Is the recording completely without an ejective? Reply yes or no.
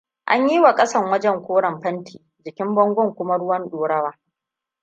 no